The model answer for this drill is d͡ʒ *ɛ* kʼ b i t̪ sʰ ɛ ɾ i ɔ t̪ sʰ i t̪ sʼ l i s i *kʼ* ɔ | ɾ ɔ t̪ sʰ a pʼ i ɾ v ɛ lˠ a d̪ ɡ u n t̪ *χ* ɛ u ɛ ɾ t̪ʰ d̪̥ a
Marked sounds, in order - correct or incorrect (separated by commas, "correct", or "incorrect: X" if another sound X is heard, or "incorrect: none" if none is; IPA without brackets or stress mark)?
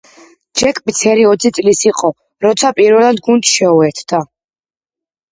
correct, incorrect: qʼ, incorrect: ʃ